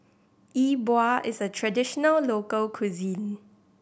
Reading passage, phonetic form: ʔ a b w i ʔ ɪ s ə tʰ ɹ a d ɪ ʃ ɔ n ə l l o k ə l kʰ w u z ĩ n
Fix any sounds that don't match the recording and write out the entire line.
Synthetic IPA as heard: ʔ i b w a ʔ ɪ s ə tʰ ɹ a d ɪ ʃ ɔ n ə l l o k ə l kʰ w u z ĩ n

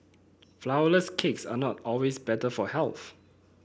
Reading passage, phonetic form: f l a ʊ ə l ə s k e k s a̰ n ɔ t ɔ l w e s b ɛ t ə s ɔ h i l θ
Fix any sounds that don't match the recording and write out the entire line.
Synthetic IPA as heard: f l a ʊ ə l ə s kʰ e k s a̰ n ɔ t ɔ l w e s b ɛ t ə f ɔ h ɛ l θ

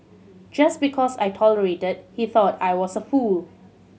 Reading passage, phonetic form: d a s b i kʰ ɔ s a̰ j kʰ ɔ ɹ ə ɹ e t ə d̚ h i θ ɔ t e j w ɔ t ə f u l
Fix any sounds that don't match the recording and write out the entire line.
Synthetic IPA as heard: d͡ʒ a s b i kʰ ɔ s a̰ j tʰ ɔ l ə ɹ e t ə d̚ h i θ ɔ t a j w ɔ s ə f u l

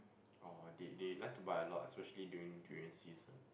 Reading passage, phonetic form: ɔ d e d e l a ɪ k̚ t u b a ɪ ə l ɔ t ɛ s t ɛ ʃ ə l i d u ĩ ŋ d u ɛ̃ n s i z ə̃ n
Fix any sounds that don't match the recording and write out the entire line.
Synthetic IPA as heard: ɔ d e d e l a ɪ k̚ t u b a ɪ ə l ɔ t ɛ s p ɛ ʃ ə l i d u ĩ ŋ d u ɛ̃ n s i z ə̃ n

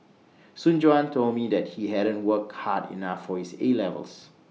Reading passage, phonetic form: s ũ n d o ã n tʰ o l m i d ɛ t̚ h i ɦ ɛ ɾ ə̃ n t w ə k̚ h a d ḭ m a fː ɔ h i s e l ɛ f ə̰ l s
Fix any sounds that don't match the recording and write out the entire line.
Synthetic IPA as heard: s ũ n d͡ʒ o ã n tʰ o l m i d ɛ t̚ h i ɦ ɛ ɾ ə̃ n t w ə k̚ h a d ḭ n a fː ɔ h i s e l ɛ v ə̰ l s

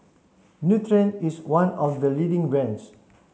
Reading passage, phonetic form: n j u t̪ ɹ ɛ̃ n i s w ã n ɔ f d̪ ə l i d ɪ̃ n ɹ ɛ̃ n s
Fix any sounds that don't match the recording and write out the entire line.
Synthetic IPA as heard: n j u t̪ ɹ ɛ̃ n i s w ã n ɔ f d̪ ə l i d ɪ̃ ŋ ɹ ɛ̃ n s

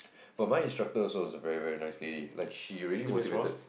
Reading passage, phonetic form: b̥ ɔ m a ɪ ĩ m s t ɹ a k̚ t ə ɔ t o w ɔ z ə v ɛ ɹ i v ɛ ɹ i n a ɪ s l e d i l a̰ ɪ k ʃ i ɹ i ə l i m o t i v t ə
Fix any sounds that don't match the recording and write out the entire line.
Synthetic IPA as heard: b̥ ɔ m a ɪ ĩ n s t ɹ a k̚ t ə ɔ s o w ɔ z ə v ɛ ɹ i v ɛ ɹ i n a ɪ s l e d i l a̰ ɪ k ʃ i ɹ i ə l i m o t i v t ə

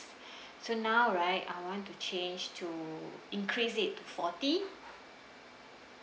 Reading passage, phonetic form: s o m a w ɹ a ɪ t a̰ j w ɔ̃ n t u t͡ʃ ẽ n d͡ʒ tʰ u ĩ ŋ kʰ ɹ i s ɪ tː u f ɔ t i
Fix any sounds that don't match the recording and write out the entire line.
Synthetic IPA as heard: s o n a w ɹ a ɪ t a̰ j w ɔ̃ n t u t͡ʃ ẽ n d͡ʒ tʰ u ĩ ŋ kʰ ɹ i s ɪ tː u f ɔ t i

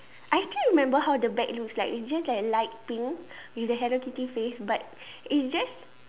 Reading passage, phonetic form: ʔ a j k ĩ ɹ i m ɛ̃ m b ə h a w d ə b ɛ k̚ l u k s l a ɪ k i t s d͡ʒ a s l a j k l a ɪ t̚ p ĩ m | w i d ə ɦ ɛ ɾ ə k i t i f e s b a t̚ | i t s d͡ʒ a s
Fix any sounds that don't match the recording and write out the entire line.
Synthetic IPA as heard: ʔ a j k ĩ ɹ i m ɛ̃ m b ə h a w d ə b ɛ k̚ l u k s l a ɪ k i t s d͡ʒ a s l a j k l a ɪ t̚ p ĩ ŋ | w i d ə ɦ ɛ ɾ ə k i t i f e s b a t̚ | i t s d͡ʒ a s

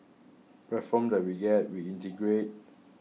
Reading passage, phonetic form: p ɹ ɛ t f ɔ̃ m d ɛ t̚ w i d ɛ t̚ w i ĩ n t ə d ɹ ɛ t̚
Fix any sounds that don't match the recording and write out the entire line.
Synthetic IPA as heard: p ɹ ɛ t f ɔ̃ m d ɛ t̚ w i ɡ ɛ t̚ w i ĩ n t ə ɡ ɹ e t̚

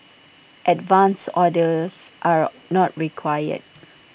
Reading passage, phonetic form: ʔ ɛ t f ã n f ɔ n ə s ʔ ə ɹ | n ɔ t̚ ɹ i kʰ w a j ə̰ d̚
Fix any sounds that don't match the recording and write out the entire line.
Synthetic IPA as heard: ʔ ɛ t v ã n s ɔ d ə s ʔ a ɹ | n ɔ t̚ ɹ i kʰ w a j ə̰ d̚

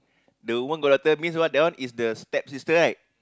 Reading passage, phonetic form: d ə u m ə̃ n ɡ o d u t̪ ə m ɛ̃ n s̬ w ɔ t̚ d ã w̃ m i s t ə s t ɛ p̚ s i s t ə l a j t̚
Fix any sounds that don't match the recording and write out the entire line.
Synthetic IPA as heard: d ə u m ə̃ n ɡ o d ɔ t̪ ə m ĩ n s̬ w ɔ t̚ d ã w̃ n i s d ə s t ɛ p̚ s i s t ə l a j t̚

